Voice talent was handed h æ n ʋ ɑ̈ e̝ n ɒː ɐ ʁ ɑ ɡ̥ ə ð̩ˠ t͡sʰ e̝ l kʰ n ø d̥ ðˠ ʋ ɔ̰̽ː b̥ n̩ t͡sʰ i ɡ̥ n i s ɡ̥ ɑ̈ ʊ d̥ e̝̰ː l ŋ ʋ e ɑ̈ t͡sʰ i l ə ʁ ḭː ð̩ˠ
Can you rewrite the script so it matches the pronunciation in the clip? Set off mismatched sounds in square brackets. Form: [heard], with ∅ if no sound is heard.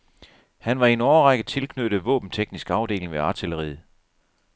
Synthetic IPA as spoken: h æ n ʋ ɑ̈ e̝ n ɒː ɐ ʁ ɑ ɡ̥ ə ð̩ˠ t͡sʰ e̝ l kʰ n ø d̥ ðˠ ʋ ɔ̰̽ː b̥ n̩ t͡sʰ [e] ɡ̥ n i s ɡ̥ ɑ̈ ʊ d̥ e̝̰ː l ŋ ʋ e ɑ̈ t͡sʰ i l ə ʁ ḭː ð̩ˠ